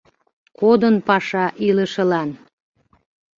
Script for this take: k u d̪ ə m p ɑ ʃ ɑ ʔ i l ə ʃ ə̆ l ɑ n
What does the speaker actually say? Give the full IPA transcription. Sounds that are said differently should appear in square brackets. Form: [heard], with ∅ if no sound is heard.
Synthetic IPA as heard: k [o] d̪ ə [n] p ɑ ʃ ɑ ʔ i l ə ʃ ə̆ l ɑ n

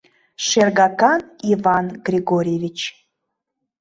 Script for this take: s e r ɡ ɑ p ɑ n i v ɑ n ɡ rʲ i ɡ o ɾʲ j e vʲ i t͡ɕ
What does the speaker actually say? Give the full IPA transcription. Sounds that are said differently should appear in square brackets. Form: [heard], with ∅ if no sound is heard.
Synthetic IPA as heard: [ʃ] e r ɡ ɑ [k] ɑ n i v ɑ n ɡ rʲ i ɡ o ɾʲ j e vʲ i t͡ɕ

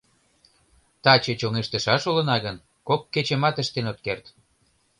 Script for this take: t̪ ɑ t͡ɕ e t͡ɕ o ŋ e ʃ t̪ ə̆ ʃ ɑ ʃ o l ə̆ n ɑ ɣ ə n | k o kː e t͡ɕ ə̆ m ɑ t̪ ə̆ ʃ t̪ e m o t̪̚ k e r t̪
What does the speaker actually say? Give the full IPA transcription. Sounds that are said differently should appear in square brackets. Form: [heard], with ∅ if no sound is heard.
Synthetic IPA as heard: t̪ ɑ t͡ɕ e t͡ɕ o ŋ e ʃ t̪ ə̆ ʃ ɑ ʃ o l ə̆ n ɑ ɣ ə n | k o kː e t͡ɕ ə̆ m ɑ t̪ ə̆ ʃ t̪ e [n] o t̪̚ k e r t̪

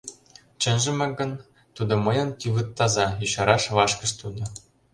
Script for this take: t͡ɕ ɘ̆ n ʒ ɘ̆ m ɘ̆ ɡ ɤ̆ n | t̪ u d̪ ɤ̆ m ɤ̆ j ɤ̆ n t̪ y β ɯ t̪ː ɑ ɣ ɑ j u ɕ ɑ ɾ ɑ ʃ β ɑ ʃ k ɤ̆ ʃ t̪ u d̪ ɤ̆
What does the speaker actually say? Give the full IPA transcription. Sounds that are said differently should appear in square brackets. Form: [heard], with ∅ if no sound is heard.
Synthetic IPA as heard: t͡ɕ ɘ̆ n ʒ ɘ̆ m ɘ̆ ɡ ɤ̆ n | t̪ u d̪ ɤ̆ m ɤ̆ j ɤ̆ n t̪ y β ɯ t̪ː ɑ [z] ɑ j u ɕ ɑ ɾ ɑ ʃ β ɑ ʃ k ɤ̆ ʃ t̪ u d̪ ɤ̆

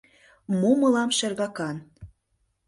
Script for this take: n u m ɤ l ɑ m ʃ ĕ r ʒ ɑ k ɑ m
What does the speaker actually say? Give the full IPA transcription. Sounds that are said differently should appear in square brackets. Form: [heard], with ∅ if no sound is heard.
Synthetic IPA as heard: [m] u m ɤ l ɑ m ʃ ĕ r [ɣ] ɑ k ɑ [n]

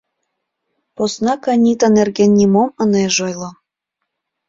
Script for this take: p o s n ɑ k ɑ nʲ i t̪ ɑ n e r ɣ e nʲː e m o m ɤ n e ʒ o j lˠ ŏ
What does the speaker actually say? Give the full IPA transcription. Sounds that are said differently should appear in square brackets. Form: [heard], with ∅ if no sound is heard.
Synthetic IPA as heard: p o s n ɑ k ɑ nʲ i t̪ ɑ n e r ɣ e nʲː [i] m o m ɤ n e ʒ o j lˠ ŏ

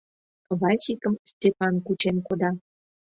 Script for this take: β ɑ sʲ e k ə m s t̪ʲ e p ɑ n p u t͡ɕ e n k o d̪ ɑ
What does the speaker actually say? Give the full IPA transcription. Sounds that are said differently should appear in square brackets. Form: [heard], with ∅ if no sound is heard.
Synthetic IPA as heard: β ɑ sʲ [i] k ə m s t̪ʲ e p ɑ n [k] u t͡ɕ e n k o d̪ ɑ

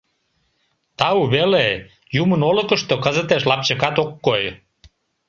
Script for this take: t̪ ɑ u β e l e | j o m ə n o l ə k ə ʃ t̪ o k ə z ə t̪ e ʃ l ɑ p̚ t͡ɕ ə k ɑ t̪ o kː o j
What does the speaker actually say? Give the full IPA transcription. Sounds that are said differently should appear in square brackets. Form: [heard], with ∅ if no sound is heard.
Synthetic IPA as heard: t̪ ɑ u β e l e | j [u] m ə n o l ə k ə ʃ t̪ o k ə z ə t̪ e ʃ l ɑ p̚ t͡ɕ ə k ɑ t̪ o kː o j

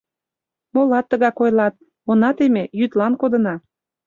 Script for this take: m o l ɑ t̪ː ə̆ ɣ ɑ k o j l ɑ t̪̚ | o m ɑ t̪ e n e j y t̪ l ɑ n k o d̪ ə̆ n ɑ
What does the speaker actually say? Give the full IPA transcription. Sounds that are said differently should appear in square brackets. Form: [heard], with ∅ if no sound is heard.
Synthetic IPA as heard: m o l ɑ t̪ː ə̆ ɣ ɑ k o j l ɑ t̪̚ | o [n] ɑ t̪ e [m] e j y t̪ l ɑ n k o d̪ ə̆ n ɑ

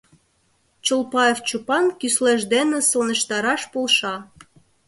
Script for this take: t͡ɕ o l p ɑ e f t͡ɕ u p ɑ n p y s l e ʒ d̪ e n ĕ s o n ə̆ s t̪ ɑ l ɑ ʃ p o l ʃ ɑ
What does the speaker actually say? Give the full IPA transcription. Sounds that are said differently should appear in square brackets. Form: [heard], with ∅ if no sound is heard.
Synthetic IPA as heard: t͡ɕ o l p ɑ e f t͡ɕ u p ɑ n [k] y s l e ʒ d̪ e n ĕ s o n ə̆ [ʃ] t̪ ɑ [ɾ] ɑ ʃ p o l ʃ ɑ

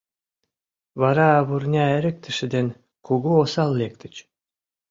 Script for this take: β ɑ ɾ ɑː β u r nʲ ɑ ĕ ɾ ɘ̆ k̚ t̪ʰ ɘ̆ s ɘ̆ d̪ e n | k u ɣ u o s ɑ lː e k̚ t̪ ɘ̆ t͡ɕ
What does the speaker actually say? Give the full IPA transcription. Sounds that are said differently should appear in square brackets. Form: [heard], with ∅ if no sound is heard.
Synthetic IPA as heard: β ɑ ɾ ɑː β u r nʲ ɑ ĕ ɾ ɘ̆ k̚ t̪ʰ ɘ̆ [ʃ] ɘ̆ d̪ e n | k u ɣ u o s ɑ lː e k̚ t̪ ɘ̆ t͡ɕ

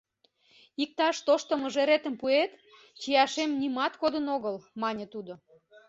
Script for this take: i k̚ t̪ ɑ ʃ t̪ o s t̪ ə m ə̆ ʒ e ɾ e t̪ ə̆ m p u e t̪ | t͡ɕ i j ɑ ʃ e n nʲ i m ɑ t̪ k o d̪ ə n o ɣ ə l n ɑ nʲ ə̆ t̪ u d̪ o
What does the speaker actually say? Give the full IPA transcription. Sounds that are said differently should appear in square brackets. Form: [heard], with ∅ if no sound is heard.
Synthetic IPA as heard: i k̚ t̪ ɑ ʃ t̪ o [ʃ] t̪ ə m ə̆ ʒ e ɾ e t̪ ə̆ m p u e t̪ | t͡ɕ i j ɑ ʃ e [m] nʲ i m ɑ t̪ k o d̪ ə n o ɣ ə l [m] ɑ nʲ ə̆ t̪ u d̪ o

